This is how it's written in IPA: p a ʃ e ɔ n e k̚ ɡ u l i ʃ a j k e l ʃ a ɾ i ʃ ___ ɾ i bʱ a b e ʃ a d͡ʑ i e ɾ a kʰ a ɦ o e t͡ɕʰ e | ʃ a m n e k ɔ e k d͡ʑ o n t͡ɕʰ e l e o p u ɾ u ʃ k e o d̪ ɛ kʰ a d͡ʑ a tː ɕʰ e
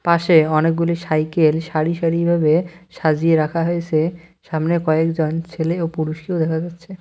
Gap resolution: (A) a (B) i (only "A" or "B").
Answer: A